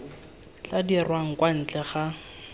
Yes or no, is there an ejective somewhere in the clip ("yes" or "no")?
no